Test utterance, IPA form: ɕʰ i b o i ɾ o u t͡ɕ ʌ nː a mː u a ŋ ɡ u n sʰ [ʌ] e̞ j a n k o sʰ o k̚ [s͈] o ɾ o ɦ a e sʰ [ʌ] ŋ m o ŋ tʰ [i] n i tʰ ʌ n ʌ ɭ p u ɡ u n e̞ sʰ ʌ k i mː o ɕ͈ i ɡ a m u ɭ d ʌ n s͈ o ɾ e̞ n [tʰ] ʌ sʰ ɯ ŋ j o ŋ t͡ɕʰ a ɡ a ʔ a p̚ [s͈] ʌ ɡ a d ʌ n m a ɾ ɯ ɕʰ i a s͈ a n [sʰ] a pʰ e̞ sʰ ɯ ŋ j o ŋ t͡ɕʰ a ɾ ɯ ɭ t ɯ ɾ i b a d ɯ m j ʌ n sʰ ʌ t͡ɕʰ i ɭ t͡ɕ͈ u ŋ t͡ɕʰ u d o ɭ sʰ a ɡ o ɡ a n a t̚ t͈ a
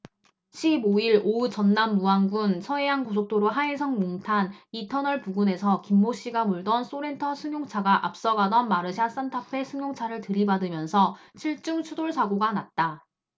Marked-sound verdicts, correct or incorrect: correct, incorrect: t͈, correct, incorrect: a, correct, correct, incorrect: tʰ

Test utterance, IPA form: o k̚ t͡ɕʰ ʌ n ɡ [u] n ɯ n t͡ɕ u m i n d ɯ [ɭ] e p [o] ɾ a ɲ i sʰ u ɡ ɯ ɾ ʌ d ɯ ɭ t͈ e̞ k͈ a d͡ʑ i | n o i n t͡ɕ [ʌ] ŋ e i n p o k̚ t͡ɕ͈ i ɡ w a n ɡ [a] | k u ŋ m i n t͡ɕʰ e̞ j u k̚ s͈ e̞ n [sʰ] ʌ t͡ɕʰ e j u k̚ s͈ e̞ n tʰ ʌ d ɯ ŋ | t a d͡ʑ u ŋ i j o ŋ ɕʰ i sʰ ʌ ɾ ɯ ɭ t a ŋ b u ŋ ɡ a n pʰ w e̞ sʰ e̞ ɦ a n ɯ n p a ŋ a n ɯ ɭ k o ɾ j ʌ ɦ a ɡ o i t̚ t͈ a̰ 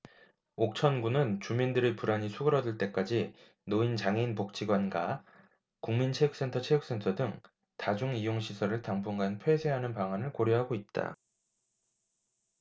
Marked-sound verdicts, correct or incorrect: correct, incorrect: ɾ, incorrect: u, incorrect: a, correct, incorrect: tʰ

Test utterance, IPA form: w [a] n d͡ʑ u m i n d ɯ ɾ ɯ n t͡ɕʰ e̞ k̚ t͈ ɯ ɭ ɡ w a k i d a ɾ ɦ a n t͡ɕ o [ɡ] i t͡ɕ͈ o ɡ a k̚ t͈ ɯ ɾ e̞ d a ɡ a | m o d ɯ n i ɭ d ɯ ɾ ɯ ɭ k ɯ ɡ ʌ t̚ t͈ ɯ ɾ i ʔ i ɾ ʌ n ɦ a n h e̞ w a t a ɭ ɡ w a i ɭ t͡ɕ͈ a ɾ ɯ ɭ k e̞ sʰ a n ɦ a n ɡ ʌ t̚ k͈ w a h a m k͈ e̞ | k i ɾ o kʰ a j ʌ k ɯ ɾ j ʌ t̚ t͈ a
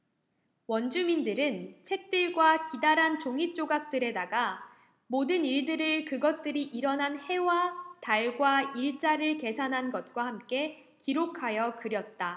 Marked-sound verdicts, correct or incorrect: incorrect: ʌ, incorrect: ŋ

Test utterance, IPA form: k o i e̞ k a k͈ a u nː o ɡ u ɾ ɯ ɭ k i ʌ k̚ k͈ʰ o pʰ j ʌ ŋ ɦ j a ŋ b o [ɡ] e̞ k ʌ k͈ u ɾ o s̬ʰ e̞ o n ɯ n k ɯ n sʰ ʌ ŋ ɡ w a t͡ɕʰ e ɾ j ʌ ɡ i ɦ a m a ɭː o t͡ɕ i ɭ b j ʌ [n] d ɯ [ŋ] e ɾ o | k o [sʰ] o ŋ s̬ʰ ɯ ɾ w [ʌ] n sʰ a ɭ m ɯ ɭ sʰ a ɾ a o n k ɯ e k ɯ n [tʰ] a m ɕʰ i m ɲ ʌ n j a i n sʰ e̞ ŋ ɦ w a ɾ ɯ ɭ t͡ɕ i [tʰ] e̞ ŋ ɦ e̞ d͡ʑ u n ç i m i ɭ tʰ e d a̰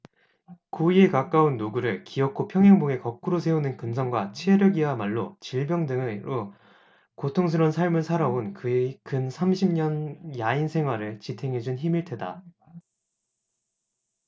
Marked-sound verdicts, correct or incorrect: incorrect: ŋ, incorrect: ŋ, correct, incorrect: tʰ, correct, incorrect: sʰ, correct

